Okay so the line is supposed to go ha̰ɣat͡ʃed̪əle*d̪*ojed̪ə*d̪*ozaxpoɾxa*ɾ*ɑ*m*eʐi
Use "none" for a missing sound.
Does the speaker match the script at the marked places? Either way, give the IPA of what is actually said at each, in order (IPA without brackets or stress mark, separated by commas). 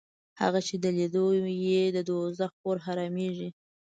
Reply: d̪, d̪, ɾ, m